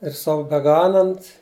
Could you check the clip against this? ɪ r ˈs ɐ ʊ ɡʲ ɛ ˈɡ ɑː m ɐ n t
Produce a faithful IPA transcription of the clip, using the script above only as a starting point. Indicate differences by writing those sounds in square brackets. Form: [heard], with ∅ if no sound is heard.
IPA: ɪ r ˈs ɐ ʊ [bʲ] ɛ ˈɡ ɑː [n] ɐ n t